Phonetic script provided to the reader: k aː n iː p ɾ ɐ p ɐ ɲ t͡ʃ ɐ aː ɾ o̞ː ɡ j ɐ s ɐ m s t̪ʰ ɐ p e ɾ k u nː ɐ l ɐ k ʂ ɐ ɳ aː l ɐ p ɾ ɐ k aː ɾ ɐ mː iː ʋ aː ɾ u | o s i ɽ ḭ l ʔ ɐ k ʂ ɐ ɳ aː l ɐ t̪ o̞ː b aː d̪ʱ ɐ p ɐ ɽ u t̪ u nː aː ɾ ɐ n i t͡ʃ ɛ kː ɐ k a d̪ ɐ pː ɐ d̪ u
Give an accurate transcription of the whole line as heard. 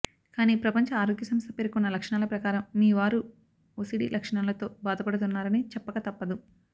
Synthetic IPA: k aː n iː p ɾ ɐ p ɐ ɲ t͡ʃ ɐ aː ɾ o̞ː ɡ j ɐ s ɐ m s t̪ʰ ɐ p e ɾ k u nː ɐ l ɐ k ʂ ɐ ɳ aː l ɐ p ɾ ɐ k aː ɾ ɐ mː iː ʋ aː ɾ u | o s i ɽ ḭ l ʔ ɐ k ʂ ɐ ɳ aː l ɐ t̪ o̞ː b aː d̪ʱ ɐ p ɐ ɽ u t̪ u nː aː ɾ ɐ n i t͡ʃ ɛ pː ɐ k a t̪ ɐ pː ɐ d̪ u